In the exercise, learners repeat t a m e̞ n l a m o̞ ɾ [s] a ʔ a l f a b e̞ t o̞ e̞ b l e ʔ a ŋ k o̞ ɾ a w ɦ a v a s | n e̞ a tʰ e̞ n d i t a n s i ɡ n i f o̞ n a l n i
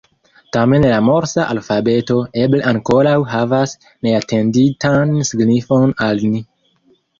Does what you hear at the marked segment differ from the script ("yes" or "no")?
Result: no